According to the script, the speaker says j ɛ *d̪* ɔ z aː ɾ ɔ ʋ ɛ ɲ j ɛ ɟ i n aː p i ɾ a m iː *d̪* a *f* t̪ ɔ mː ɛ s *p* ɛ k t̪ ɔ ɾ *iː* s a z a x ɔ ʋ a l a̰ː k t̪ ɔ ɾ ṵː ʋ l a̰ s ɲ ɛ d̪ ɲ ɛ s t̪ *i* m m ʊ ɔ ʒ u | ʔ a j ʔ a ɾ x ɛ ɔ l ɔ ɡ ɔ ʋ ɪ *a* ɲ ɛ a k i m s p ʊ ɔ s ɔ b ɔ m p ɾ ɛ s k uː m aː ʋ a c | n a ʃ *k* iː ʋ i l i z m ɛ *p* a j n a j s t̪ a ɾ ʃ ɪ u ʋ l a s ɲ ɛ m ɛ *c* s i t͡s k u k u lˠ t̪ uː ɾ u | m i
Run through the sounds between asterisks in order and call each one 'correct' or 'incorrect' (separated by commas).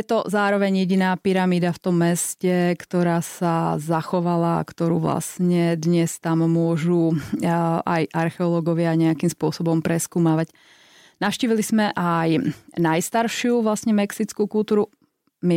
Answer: incorrect, correct, correct, incorrect, incorrect, incorrect, correct, incorrect, incorrect, incorrect